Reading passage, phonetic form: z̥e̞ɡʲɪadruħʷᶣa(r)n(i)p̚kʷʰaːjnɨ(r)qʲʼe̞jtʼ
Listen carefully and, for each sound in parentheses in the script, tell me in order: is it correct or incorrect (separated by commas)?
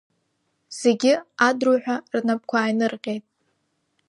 correct, incorrect, correct